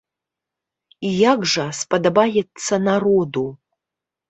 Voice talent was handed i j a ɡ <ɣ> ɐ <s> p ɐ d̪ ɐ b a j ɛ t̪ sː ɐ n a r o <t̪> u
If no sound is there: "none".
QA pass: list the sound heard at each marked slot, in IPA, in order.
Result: ʐ, s, d̪

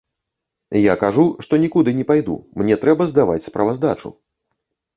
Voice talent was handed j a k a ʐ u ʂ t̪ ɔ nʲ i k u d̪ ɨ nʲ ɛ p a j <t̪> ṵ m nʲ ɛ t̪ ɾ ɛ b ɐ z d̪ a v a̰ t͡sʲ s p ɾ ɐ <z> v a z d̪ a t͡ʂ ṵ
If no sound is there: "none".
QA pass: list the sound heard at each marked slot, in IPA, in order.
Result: d̪, none

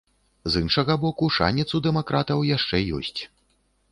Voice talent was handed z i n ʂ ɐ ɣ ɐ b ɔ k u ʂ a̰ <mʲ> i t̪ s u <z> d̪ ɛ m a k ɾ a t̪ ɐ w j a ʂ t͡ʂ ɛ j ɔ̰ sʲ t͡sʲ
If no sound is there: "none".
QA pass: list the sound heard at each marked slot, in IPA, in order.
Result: nʲ, none

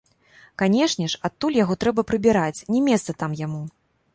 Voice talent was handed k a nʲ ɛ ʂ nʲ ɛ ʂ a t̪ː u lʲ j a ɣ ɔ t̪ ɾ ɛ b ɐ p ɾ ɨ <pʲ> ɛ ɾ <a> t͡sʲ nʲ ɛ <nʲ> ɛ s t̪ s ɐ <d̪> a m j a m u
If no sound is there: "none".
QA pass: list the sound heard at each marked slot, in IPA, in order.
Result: bʲ, a, mʲ, t̪

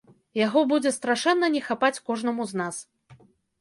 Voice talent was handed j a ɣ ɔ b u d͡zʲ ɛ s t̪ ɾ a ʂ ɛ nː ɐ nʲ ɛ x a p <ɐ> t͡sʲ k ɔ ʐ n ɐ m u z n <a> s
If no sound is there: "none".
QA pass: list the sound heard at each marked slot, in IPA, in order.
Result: a, a

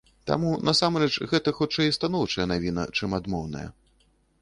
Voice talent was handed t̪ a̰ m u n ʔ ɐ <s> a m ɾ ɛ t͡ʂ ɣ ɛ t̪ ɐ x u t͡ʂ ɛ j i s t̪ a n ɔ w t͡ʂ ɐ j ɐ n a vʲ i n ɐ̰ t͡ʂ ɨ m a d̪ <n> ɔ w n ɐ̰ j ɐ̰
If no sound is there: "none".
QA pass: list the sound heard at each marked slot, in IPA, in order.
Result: s, m

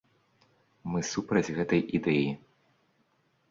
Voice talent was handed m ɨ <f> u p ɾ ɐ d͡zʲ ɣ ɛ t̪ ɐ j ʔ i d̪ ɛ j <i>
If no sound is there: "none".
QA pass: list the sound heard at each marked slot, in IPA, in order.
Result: s, i

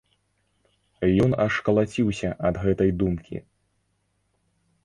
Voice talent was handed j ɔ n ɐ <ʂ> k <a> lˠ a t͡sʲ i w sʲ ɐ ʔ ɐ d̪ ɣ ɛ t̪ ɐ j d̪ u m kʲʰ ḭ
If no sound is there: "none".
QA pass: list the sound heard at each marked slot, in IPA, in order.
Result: ʂ, ɐ

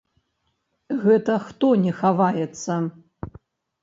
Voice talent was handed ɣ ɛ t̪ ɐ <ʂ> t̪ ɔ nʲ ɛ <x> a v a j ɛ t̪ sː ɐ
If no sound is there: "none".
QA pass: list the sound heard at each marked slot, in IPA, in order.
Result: x, x

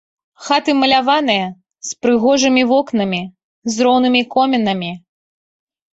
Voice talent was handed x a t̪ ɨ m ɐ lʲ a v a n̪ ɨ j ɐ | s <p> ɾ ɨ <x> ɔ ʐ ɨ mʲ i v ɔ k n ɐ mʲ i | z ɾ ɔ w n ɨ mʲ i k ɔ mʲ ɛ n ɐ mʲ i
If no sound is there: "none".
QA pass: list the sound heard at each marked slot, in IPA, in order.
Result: p, ɣ

